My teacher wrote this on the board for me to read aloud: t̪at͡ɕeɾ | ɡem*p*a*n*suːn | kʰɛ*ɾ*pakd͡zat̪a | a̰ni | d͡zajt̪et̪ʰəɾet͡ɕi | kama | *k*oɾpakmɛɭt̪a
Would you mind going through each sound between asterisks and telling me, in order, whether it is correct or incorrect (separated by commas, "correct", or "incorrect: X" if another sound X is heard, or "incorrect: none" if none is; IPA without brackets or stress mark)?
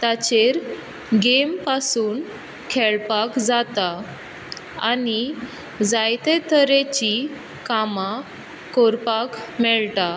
correct, incorrect: none, incorrect: ɭ, correct